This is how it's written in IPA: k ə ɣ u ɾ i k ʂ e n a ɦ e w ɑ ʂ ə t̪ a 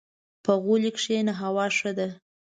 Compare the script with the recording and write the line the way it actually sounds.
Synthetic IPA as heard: p ə ɣ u l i k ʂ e n a ɦ a w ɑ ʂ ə d̪ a